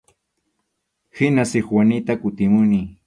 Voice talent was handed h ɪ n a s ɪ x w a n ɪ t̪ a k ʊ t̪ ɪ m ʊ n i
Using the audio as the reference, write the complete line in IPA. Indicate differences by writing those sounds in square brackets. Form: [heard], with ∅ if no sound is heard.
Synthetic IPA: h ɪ n a s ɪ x w a n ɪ t̪ a k ʊ t̪ ɪ m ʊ n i